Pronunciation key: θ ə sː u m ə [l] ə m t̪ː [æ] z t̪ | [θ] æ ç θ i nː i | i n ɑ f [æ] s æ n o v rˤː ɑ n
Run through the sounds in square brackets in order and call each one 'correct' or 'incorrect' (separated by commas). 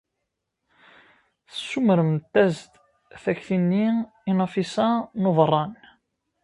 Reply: incorrect, correct, correct, incorrect